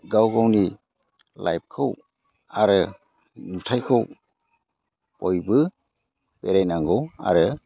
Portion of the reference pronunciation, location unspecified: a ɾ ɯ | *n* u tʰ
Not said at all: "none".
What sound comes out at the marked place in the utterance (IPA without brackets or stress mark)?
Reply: n